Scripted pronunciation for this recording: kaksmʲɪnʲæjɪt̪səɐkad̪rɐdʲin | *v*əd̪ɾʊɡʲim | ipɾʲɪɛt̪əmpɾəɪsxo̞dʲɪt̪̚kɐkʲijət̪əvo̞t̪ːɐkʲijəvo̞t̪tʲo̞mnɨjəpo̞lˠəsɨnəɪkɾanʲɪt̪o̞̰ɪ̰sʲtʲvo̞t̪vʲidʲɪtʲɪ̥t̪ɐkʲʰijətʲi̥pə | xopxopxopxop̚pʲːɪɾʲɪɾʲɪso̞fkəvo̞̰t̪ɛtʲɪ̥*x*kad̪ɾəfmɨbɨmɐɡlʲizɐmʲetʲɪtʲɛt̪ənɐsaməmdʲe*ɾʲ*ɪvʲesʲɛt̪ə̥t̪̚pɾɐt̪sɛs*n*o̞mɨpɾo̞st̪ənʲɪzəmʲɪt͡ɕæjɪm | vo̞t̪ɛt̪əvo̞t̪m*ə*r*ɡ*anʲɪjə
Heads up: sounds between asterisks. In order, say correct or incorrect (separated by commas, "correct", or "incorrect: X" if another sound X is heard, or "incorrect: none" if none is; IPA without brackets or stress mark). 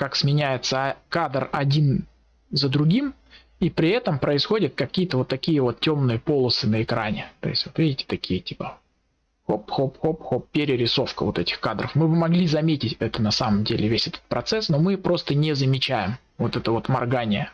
incorrect: z, correct, incorrect: lʲ, correct, incorrect: ɐ, correct